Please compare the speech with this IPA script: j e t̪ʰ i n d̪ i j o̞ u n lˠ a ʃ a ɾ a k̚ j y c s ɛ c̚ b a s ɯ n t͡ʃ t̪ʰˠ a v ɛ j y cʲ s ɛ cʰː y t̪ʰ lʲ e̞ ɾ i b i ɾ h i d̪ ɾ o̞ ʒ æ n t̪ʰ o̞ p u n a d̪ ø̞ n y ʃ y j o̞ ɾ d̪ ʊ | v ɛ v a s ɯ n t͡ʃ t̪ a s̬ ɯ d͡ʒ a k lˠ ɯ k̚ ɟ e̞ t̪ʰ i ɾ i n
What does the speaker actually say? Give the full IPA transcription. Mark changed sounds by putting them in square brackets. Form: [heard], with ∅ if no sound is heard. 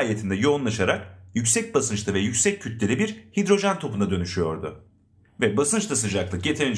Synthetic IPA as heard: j e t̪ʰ i n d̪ [ɛ] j o̞ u n lˠ a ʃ a ɾ a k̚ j y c s ɛ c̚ b a s ɯ n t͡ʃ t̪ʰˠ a v ɛ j y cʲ s ɛ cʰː y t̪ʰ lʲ e̞ ɾ i b i ɾ h i d̪ ɾ o̞ ʒ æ n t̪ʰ o̞ p u n a d̪ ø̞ n y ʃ y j o̞ ɾ d̪ ʊ | v ɛ [b] a s ɯ n t͡ʃ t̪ a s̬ ɯ d͡ʒ a k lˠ ɯ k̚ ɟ e̞ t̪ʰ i ɾ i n